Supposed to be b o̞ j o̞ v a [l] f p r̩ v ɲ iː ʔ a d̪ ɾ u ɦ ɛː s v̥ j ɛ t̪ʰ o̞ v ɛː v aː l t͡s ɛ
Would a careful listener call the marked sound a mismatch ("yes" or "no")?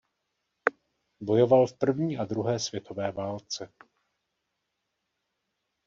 no